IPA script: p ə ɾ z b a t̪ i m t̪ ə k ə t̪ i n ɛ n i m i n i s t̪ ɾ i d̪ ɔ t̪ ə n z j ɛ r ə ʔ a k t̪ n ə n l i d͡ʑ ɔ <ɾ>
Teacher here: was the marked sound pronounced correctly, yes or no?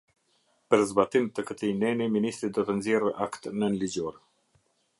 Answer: yes